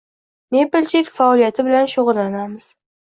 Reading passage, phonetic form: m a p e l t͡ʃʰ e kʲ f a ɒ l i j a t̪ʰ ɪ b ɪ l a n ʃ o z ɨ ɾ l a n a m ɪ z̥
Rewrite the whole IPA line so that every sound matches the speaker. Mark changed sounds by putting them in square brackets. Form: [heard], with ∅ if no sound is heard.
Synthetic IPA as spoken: m [e] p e l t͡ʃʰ e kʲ f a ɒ l i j a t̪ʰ ɪ b ɪ l a n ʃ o [ʁ] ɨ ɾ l a n a m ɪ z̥